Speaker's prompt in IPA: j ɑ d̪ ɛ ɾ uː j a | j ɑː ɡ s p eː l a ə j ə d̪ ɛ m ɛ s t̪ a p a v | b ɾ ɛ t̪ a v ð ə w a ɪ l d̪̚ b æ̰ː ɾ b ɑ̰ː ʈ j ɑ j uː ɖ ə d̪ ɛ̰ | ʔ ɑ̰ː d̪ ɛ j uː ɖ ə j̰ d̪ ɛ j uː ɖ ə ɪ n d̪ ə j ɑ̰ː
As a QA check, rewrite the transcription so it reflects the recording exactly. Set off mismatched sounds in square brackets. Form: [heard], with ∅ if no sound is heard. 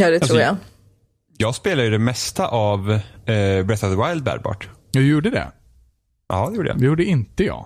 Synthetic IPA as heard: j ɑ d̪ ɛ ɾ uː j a | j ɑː ɡ s p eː l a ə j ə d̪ ɛ m ɛ s t̪ a [ʔ] a v | b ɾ ɛ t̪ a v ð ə w a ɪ l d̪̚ b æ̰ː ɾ b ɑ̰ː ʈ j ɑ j uː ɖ ə d̪ ɛ̰ | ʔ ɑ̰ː d̪ ɛ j uː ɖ ə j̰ d̪ ɛ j uː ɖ ə ɪ n [t̪] ə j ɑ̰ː